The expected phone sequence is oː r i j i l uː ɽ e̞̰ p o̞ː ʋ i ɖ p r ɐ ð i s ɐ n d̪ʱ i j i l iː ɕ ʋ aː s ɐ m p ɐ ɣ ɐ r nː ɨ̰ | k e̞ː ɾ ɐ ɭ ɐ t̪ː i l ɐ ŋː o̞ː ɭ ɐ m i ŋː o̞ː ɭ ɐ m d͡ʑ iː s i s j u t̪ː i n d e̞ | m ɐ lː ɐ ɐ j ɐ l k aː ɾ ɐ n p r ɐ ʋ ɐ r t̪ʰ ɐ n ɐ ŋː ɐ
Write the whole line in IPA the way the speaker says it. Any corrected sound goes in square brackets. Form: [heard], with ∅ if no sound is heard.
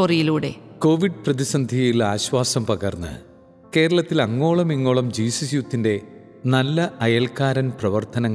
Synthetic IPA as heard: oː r i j i l uː ɽ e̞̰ [k] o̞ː ʋ i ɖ p r ɐ ð i s ɐ n d̪ʱ i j i l [aː] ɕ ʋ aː s ɐ m p ɐ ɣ ɐ r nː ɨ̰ | k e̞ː ɾ ɐ ɭ ɐ t̪ː i l ɐ ŋː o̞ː ɭ ɐ m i ŋː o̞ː ɭ ɐ m d͡ʑ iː s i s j u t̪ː i n d e̞ | [n] ɐ lː ɐ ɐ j ɐ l k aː ɾ ɐ n p r ɐ ʋ ɐ r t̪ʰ ɐ n ɐ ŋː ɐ